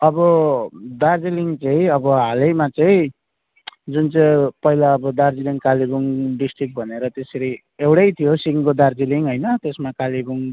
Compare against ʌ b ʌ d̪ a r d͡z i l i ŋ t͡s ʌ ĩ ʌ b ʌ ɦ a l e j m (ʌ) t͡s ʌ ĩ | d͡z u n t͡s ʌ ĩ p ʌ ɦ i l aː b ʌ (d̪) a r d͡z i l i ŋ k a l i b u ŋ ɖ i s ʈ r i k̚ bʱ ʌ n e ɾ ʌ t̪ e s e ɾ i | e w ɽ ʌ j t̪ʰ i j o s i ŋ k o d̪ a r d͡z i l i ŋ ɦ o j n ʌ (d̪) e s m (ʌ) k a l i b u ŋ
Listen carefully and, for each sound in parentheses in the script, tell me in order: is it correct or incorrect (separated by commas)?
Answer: incorrect, correct, incorrect, incorrect